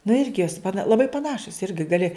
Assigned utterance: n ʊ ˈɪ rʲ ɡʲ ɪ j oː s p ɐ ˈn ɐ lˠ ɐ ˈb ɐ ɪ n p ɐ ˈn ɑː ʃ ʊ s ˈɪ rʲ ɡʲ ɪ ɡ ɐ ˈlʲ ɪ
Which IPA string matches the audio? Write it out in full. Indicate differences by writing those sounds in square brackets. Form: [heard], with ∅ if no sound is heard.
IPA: n ʊ ˈɪ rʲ ɡʲ ɪ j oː s p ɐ ˈn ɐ lˠ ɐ ˈb ɐ ɪ [∅] p ɐ ˈn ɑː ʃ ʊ s ˈɪ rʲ ɡʲ ɪ ɡ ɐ ˈlʲ ɪ